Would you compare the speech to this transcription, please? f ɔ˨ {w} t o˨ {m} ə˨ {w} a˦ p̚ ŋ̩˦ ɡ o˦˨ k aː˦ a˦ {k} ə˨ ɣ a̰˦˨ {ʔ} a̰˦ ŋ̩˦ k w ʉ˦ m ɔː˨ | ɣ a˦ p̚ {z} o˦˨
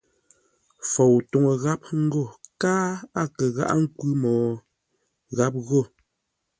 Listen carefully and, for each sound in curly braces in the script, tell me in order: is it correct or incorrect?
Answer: correct, incorrect: ŋ, incorrect: ɣ, correct, correct, incorrect: ɣ

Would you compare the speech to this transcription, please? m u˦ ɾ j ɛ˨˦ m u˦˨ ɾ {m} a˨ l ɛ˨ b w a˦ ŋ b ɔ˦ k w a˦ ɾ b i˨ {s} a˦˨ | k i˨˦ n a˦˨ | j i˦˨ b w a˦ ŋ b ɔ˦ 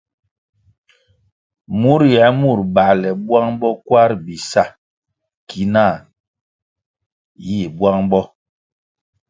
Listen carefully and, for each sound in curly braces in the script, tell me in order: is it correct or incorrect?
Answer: incorrect: b, correct

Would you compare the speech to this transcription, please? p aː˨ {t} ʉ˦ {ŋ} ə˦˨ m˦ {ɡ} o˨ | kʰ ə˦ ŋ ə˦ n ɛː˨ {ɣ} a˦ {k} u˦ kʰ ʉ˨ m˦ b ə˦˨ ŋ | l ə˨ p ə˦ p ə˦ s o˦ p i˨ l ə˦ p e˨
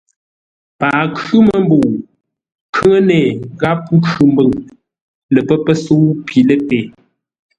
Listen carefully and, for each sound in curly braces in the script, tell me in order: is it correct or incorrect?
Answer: incorrect: k, incorrect: m, incorrect: b, correct, incorrect: p

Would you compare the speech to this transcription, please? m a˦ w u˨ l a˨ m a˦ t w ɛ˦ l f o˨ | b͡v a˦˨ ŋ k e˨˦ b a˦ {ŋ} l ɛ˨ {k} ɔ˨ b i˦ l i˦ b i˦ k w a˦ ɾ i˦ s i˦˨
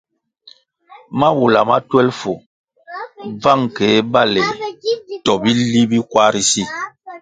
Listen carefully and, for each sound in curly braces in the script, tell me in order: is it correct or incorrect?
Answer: incorrect: none, incorrect: t

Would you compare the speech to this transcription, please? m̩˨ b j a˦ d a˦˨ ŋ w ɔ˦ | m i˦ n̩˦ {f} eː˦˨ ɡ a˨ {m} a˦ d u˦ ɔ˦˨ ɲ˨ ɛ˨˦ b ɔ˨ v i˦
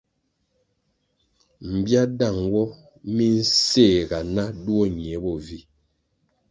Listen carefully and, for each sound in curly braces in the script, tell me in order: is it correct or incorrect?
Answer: incorrect: s, incorrect: n

